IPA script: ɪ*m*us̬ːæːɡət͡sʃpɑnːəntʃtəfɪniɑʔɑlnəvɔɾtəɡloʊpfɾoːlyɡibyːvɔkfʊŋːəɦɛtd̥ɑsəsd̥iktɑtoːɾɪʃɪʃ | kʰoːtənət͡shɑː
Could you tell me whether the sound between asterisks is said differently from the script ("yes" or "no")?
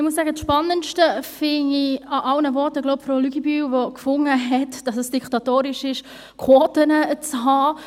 no